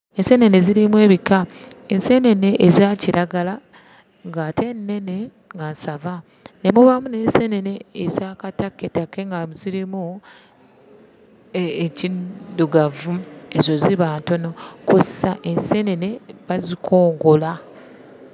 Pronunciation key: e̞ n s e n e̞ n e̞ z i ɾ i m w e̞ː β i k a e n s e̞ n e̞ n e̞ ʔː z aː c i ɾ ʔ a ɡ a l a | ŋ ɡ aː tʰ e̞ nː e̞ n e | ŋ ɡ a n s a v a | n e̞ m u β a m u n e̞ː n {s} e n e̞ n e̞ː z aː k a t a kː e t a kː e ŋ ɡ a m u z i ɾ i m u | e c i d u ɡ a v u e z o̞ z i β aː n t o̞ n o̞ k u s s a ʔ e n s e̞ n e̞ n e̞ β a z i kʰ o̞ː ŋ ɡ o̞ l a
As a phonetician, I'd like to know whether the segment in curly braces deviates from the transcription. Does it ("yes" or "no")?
no